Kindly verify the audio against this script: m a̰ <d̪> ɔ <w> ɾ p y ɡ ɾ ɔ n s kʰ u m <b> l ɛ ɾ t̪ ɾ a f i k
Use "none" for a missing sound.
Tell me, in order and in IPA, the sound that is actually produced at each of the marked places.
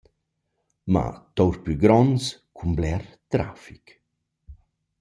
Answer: t̪, w, b

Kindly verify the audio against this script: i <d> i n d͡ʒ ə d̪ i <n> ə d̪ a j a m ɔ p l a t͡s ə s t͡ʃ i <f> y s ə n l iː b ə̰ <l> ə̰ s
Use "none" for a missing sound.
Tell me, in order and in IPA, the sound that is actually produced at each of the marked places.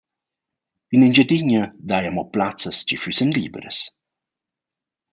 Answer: n, ɲ, f, ɾ

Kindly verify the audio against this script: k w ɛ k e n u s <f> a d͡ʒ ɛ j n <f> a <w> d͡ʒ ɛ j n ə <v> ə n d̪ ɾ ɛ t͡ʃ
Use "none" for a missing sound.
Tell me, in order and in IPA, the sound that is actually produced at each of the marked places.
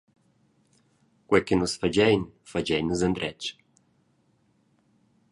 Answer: f, f, none, z

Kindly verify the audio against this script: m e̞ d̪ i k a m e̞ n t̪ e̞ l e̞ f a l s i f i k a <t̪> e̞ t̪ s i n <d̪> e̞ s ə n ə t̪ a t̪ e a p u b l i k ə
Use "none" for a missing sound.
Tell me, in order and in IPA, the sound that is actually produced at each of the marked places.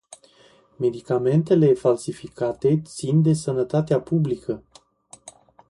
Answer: t̪, d̪

